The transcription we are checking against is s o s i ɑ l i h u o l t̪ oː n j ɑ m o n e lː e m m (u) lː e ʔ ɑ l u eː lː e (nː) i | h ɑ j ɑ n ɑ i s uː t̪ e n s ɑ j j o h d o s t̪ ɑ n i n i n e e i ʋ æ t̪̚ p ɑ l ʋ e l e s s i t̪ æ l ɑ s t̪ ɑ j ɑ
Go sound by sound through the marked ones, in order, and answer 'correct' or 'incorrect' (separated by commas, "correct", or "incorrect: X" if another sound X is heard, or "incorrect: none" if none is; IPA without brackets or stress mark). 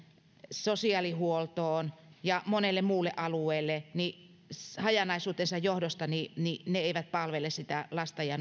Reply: incorrect: uː, incorrect: n